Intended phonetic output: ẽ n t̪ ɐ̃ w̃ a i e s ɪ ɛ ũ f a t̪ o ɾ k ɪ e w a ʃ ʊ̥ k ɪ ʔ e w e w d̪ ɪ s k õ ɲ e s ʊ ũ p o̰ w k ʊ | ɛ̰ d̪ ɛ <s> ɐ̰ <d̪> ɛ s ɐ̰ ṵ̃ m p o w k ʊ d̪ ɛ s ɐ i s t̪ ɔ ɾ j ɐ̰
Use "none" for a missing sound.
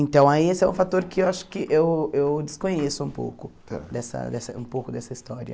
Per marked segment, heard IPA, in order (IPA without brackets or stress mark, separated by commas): s, d̪